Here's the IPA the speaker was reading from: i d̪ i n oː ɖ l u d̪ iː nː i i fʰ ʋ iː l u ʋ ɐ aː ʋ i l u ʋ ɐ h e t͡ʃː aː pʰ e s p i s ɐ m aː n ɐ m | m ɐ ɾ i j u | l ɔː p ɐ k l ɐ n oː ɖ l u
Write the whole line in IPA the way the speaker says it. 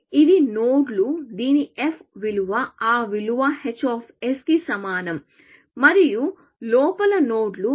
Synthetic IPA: i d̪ i n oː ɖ l u d̪ iː n i e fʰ ʋ i l u ʋ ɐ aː ʋ i l u ʋ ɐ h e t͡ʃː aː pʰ e s k i s ɐ m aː n ɐ m | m ɐ ɾ i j u | l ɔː p ɐ l ɐ n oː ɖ l u